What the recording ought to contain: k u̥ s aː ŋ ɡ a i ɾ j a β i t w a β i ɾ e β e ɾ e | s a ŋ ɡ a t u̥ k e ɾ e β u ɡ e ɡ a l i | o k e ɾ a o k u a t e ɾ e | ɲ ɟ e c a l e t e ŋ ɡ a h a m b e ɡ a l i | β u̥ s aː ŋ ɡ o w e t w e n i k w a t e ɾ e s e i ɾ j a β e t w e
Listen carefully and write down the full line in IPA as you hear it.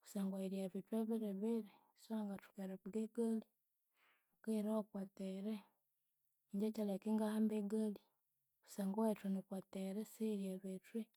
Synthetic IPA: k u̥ s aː ŋ ɡ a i ɾ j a β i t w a β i ɾ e β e ɾ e | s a ŋ ɡ a t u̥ k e ɾ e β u ɡ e ɡ a l i | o k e ɾ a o k w a t e ɾ e | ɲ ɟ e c a l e k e ŋ ɡ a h a m b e ɡ a l i | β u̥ s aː ŋ ɡ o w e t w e n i k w a t e ɾ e s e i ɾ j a β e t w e

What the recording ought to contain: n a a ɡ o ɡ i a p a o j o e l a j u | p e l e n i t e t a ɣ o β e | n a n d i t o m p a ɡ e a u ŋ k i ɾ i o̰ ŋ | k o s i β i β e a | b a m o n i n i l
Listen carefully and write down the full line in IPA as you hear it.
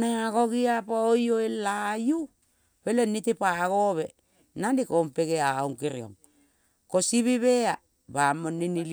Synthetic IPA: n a a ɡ o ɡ i a p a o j o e l a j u | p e l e n i t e p a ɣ o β e | n a n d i k o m p e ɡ e a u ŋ k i ɾ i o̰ ŋ | k o s i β i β e a | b a m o n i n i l

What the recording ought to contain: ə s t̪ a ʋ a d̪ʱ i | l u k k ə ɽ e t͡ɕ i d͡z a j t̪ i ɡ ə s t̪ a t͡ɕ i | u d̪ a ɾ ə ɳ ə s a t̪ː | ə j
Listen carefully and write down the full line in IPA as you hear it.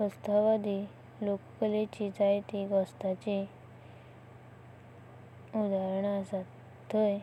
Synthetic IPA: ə s t̪ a ʋ a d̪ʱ i | l o k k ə l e t͡ɕ i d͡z a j t̪ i ɡ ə s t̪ a t͡ɕ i | u d̪ a ɾ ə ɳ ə s a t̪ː | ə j

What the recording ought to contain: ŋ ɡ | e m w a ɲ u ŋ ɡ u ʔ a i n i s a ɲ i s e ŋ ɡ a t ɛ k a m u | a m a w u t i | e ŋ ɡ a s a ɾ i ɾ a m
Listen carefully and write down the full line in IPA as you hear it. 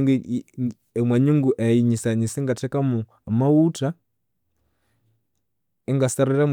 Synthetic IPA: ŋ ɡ | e m w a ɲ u ŋ ɡ u ʔ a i ɲ i s a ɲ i s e ŋ ɡ a t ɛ k a m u | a m a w u t a | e ŋ ɡ a s a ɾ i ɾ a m

